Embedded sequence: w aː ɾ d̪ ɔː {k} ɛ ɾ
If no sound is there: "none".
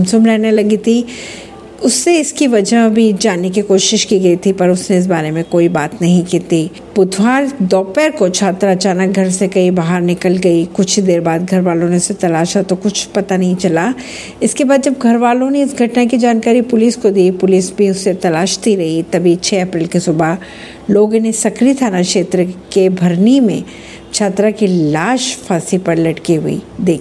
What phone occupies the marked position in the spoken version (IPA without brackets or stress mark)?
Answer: p